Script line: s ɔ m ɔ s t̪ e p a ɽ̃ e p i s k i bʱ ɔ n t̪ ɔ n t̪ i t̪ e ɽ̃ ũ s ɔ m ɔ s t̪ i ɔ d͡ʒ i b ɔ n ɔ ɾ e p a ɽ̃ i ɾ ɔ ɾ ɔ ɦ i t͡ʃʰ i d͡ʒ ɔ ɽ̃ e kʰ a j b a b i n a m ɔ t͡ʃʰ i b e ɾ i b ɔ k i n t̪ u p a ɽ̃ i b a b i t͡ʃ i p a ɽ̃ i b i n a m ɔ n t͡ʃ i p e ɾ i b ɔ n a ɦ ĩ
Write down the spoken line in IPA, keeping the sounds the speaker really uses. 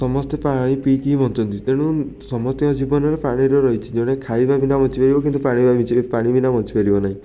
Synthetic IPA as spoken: s ɔ m ɔ s t̪ e p a ɽ̃ i p i k i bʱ ɔ n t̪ ɔ n t̪ i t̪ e ɽ̃ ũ s ɔ m ɔ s t̪ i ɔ d͡ʒ i b ɔ n ɔ ɾ e p a ɽ̃ i ɾ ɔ ɾ ɔ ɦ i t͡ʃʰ i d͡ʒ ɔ ɽ̃ e kʰ a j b a b i n a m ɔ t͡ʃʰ i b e ɾ i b ɔ k i n t̪ u p a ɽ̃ i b a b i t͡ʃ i p a ɽ̃ i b i n a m ɔ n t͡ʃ i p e ɾ i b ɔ n a ɦ ĩ